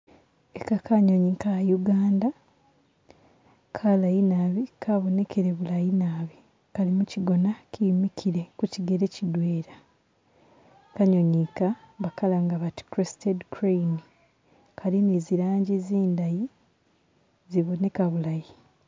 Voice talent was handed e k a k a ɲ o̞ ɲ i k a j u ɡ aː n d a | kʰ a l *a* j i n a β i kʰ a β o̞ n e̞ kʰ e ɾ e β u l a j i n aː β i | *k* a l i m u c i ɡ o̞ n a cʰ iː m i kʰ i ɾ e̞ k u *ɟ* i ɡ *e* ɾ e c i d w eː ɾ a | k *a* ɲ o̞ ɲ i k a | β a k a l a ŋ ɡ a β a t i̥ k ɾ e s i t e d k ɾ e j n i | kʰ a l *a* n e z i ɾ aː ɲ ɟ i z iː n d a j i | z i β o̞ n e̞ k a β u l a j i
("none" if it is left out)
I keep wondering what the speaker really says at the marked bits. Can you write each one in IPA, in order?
a, k, c, e, a, i

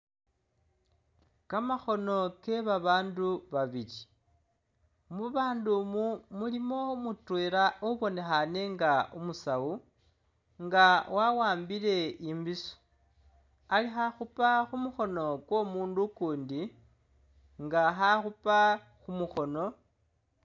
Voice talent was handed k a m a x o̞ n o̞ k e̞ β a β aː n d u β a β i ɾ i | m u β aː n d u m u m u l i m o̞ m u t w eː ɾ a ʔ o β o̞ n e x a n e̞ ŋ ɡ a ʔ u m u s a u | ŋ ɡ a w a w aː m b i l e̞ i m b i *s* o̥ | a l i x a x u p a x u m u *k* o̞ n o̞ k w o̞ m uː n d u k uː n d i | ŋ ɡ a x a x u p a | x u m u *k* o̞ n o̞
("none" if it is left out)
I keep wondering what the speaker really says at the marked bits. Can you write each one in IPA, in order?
s, x, x

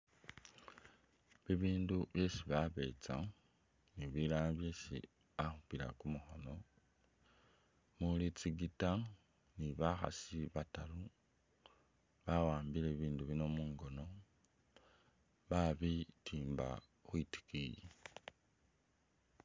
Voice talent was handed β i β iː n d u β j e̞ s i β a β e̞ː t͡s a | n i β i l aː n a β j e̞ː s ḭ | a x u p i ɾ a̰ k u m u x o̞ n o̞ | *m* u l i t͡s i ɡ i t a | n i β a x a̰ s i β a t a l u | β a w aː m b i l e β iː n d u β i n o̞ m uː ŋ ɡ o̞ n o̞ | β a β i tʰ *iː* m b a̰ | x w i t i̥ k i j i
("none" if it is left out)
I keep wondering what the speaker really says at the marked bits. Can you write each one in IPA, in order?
m, iː

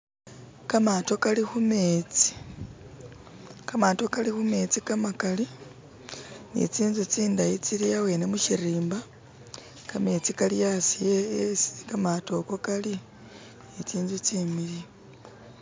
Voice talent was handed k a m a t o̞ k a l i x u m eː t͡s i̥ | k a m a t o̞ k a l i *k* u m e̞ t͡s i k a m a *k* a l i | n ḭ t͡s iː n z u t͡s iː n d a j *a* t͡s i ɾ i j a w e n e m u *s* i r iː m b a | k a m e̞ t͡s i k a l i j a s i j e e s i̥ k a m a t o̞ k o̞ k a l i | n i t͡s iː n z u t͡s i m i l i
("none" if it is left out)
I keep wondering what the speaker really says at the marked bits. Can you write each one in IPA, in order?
x, k, i, ʃ

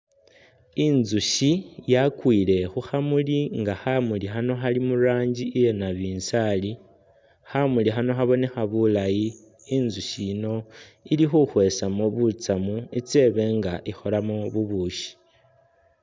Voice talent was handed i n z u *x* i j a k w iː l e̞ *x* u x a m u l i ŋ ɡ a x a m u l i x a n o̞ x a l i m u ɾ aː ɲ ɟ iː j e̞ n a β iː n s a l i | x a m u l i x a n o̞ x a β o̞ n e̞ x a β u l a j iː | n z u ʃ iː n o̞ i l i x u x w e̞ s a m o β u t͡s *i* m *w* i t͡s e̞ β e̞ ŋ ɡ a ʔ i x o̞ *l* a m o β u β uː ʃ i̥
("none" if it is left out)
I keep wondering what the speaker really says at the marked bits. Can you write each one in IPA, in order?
ʃ, x, a, u, l

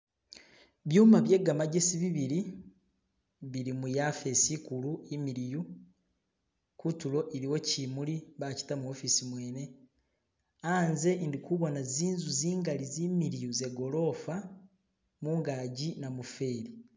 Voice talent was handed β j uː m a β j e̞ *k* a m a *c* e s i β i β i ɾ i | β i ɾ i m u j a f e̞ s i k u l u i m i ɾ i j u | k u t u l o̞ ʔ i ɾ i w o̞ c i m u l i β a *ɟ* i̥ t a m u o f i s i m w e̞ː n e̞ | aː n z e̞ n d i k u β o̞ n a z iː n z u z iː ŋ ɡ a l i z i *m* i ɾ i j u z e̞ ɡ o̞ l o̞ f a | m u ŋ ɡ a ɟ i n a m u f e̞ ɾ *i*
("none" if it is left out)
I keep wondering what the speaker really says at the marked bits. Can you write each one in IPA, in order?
ɡ, ɟ, c, m, i

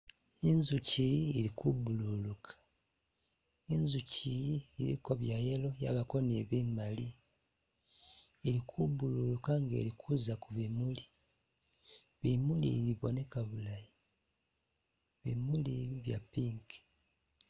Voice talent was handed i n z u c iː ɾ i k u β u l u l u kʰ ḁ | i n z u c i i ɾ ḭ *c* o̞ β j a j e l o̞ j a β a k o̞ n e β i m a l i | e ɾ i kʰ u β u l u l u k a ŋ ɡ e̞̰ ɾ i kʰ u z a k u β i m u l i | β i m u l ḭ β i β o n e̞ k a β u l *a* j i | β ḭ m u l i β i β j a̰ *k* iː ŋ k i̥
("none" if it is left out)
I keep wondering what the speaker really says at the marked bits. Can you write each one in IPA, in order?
k, a, p

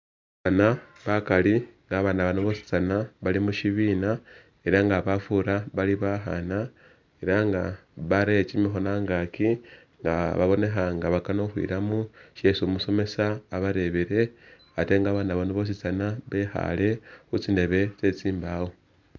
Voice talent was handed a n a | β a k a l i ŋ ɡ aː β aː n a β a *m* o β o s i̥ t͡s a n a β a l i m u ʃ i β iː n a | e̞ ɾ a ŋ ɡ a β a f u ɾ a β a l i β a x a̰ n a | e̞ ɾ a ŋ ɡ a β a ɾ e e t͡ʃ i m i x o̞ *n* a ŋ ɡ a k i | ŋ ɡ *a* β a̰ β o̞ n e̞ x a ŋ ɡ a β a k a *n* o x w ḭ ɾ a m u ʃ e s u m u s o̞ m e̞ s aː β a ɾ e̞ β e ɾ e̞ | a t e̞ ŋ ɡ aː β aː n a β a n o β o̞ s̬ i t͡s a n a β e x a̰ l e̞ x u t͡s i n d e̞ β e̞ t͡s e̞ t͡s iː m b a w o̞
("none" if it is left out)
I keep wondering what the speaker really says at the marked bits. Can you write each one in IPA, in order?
n, n, a, n

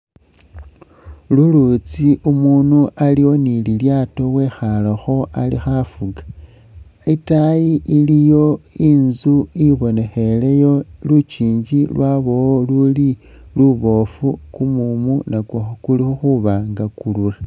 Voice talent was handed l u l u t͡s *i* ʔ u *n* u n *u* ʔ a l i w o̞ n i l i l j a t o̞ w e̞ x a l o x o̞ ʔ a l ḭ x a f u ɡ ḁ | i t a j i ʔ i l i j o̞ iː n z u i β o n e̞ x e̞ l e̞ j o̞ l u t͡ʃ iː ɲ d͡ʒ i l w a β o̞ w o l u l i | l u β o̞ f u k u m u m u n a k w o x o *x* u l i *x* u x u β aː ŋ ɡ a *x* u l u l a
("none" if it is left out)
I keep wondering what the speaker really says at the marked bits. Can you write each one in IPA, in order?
i, m, u, k, x, k

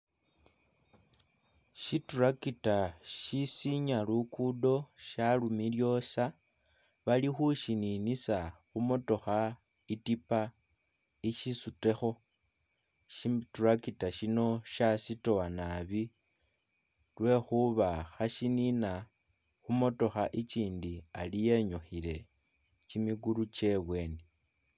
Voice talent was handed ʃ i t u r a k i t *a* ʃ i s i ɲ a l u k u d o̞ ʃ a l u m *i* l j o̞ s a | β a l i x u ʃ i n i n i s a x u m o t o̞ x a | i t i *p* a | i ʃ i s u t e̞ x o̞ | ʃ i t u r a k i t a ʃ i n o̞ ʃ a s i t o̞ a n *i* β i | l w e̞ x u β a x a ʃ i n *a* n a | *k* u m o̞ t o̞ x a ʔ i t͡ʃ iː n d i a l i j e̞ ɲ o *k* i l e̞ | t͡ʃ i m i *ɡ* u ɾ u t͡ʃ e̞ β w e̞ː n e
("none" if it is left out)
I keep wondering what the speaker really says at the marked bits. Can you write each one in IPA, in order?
a, i, p, a, i, x, x, ɡ

